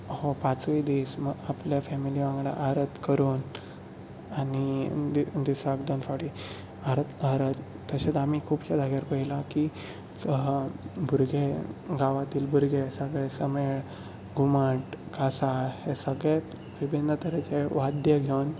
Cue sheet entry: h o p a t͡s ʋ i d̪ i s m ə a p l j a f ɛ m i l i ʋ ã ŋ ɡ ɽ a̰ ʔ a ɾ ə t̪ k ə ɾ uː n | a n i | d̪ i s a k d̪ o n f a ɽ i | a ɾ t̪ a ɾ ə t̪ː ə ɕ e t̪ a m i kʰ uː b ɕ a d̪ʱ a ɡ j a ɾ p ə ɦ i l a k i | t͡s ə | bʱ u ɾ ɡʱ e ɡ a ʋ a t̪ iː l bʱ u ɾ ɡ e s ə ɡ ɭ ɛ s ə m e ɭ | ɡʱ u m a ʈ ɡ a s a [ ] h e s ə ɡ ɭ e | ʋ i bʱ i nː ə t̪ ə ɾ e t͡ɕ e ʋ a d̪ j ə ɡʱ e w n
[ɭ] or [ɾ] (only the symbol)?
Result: ɭ